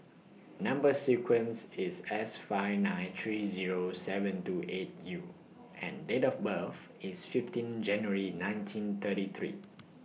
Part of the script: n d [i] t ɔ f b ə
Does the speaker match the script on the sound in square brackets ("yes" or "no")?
no